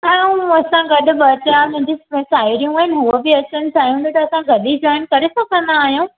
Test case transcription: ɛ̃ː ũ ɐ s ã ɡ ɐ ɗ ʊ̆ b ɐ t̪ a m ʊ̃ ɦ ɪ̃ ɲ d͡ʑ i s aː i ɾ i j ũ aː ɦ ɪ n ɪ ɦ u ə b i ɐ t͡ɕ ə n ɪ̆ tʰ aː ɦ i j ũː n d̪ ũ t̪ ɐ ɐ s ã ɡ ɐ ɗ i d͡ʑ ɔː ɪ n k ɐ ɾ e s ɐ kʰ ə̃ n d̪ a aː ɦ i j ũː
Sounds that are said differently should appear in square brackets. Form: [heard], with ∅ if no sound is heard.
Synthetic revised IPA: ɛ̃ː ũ ɐ s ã ɡ ɐ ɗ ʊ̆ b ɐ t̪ a m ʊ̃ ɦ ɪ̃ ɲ d͡ʑ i s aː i ɾ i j ũ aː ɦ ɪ n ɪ ɦ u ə b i ɐ t͡ɕ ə n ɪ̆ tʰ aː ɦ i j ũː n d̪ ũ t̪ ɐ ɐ s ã ɡ ɐ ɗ i d͡ʑ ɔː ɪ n k ɐ ɾ e s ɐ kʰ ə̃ n d̪ a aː ɦ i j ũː